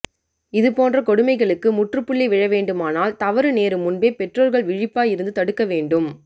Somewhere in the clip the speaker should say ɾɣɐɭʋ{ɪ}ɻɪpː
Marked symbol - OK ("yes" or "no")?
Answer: yes